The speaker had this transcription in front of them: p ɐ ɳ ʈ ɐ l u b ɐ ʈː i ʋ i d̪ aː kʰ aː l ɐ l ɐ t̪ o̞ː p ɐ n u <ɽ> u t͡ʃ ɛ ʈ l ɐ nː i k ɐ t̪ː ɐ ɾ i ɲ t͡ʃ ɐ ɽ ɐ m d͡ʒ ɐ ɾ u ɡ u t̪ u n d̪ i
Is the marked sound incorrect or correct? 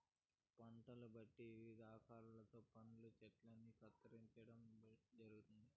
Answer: incorrect